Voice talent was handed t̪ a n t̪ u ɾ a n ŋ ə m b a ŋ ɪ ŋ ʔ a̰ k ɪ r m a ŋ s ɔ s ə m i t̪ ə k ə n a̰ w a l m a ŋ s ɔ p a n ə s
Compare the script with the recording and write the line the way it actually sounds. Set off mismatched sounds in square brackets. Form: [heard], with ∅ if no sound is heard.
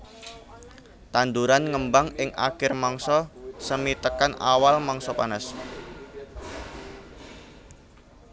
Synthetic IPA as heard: t̪ a n [d̪] u ɾ a n ŋ ə m b a ŋ ɪ ŋ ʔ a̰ k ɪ r m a ŋ s ɔ s ə m i t̪ ə k [a] n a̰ w a l m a ŋ s ɔ p a n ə s